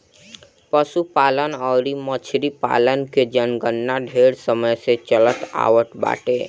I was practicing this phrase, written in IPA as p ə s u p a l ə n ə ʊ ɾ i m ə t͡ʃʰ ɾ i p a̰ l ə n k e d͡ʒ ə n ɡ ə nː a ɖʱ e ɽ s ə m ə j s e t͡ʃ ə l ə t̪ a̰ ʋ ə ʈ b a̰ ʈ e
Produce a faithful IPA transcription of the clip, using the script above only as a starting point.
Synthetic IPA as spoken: p ə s u p a l ə n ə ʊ ɾ i m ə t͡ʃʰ ɾ i p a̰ l ə n k e d͡ʒ ə n ɡ ə nː a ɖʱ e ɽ s ə m ə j s e t͡ʃ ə l ə t̪ a̰ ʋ ə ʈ b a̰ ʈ e